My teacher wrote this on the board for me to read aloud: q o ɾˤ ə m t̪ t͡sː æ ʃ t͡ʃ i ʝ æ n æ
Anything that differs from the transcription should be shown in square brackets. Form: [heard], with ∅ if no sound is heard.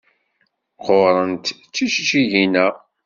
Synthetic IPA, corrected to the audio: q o ɾˤ ə [n] t̪ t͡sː [i] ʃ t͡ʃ i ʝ [i] n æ